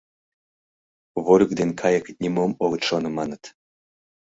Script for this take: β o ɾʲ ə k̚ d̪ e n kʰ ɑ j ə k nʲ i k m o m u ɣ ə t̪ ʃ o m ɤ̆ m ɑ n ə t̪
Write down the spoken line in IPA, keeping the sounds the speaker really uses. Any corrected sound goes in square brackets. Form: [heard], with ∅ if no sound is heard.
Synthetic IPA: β o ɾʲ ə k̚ d̪ e n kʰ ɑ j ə k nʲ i [∅] m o m [o] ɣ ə t̪ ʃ o [n] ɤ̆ m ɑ n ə t̪